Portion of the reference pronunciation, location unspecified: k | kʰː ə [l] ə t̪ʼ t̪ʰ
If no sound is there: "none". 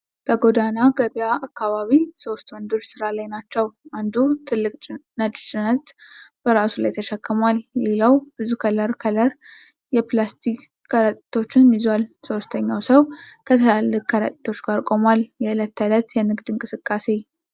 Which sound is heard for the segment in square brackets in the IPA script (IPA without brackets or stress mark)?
ɾ